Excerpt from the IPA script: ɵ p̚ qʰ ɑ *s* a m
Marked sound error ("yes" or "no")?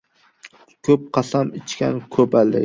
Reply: no